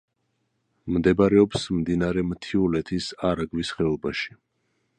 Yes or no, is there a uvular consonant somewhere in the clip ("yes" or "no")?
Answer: yes